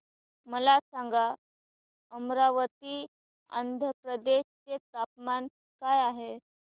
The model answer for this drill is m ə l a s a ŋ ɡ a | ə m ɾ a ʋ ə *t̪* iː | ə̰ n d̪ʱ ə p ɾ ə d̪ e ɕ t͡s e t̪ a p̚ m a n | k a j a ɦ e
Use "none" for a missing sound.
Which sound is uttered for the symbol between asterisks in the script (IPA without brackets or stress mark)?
t̪